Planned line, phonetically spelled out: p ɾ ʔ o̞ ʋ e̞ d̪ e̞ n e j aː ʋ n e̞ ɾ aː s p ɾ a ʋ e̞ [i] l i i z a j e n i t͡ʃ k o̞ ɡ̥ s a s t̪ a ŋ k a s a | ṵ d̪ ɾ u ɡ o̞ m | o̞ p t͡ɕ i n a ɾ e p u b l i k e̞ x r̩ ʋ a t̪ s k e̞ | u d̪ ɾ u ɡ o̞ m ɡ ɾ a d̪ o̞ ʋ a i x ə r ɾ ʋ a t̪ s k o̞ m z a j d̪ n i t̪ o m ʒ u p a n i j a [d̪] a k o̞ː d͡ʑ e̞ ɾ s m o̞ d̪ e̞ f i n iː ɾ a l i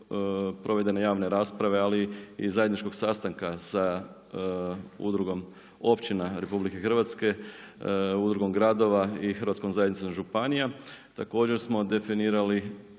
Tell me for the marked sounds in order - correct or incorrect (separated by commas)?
incorrect, incorrect